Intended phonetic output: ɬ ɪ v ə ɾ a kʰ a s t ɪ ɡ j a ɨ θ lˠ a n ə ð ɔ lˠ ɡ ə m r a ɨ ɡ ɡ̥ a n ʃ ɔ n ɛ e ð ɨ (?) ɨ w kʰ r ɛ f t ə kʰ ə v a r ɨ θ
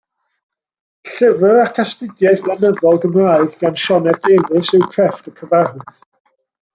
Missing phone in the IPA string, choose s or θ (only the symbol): s